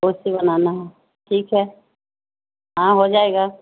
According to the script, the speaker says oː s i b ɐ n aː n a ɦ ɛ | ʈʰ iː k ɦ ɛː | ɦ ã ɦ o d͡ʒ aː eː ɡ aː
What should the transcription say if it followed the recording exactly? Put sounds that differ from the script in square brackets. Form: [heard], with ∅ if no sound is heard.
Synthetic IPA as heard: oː s i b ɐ n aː n a ɦ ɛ | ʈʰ iː k ɦ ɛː | ɦ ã ɦ o d͡ʒ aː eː ɡ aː